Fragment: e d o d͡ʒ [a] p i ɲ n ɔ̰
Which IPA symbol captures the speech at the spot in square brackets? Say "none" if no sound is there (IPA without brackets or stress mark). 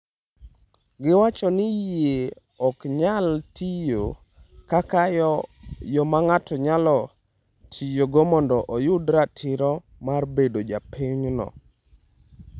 a